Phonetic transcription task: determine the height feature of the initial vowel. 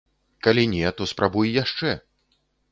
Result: low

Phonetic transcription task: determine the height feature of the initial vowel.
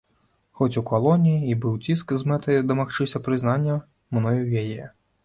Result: mid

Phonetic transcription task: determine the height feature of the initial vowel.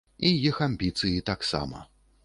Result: high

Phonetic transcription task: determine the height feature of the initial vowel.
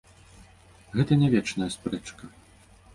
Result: mid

